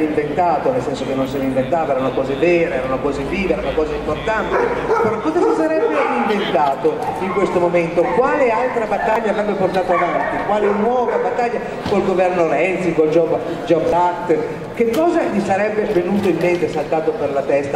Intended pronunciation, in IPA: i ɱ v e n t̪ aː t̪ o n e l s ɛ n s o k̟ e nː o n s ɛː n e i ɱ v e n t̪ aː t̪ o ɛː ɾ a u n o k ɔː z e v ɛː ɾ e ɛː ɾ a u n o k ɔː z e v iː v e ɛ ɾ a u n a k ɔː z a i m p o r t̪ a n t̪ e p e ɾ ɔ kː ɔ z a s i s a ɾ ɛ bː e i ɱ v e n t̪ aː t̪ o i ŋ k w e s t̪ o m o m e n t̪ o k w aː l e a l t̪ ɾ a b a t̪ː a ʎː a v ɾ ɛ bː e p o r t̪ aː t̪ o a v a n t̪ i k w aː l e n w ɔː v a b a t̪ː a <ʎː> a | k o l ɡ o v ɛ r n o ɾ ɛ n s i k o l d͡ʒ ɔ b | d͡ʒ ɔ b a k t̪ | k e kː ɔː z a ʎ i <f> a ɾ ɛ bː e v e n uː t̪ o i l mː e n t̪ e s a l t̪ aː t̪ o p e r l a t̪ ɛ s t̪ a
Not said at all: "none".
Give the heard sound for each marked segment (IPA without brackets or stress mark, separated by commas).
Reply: ʎː, s